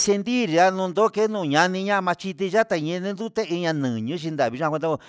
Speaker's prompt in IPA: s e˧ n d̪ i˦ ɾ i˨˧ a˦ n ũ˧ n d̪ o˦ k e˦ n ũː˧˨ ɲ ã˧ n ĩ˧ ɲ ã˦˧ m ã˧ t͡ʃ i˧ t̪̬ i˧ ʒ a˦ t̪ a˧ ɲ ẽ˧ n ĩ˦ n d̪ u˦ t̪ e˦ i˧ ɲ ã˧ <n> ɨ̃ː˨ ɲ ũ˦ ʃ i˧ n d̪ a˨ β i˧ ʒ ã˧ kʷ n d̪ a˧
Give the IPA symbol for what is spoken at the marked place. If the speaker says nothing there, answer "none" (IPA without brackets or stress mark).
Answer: n